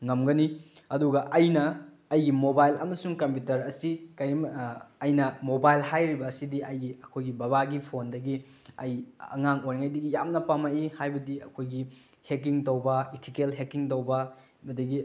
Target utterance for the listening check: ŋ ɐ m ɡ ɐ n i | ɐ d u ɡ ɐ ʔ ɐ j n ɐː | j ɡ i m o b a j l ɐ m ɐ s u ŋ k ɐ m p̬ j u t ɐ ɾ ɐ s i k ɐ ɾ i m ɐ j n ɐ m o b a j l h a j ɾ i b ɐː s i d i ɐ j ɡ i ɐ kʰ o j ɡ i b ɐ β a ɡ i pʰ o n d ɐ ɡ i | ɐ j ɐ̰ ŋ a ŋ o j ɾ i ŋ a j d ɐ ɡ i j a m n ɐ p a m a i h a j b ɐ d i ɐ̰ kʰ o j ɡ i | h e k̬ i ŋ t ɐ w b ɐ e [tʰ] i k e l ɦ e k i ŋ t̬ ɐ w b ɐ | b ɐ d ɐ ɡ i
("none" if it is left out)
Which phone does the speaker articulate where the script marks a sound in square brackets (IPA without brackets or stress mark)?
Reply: tʰ